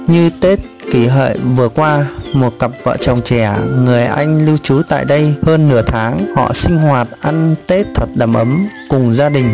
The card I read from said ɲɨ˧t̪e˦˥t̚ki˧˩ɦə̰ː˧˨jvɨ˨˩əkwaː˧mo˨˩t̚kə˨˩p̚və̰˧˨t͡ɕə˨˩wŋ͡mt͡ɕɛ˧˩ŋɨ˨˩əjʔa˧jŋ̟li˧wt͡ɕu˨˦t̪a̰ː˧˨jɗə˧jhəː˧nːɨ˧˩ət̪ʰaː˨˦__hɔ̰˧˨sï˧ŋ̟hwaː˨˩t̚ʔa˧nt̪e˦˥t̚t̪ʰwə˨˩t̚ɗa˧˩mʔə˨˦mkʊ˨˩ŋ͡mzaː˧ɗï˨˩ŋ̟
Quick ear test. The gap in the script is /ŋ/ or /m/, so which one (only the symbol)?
ŋ